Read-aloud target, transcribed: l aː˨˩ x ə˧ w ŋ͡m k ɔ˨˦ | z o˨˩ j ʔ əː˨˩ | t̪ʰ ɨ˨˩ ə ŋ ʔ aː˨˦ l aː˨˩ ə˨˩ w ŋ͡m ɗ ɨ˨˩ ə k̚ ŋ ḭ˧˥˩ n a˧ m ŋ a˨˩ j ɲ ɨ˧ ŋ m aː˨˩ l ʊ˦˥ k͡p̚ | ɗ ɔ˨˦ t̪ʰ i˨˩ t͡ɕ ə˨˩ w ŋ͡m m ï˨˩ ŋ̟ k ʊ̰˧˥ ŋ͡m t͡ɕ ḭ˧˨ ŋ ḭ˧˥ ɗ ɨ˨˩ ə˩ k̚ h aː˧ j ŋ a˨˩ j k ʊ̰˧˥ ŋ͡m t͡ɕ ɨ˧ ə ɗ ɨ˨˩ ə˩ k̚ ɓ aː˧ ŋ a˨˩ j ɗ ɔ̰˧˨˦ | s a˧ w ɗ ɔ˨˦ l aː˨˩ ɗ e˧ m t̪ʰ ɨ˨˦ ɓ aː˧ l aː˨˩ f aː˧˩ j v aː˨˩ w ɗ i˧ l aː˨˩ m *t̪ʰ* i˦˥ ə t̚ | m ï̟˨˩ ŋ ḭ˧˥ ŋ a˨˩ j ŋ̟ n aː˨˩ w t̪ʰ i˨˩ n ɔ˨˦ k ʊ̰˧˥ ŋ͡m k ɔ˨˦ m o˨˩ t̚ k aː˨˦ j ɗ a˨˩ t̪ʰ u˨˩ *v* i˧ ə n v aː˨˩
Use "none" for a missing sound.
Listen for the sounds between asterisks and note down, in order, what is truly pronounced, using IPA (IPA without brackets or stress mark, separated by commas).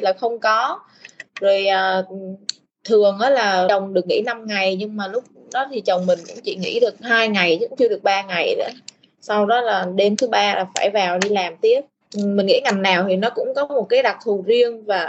t̪, z